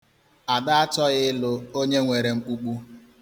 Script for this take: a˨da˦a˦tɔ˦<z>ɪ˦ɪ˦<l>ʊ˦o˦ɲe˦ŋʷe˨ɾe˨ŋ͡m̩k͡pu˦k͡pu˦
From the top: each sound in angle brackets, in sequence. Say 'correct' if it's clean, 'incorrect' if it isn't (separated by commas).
incorrect, correct